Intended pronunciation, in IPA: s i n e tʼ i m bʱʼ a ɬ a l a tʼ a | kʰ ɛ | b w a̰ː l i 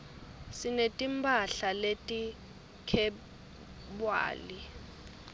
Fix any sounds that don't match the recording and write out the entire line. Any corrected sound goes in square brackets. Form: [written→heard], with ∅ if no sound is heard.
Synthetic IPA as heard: s i n e tʼ i m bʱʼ a ɬ a l [a→e] tʼ [a→i] | kʰ ɛ | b w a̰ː l i